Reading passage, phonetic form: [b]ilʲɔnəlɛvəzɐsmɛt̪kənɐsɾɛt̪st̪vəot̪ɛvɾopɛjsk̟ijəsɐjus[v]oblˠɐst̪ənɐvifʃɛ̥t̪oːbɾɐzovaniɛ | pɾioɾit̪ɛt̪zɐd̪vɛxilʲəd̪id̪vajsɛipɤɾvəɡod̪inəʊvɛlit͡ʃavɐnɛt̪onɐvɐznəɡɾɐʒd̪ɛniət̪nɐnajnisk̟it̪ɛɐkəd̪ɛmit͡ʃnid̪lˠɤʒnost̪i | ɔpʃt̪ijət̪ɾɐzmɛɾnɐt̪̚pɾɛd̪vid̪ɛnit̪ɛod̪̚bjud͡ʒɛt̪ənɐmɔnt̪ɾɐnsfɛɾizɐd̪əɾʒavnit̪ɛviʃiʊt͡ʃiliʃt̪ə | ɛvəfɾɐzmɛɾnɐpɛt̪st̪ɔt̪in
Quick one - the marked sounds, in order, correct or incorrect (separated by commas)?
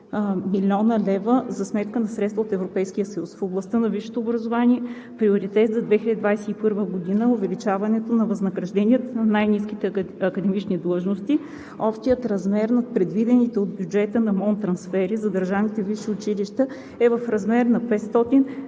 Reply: incorrect, incorrect